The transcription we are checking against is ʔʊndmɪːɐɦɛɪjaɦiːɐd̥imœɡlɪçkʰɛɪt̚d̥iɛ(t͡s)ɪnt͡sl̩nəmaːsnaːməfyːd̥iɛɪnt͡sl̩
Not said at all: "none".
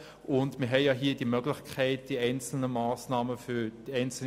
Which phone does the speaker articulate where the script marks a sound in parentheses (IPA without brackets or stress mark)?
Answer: none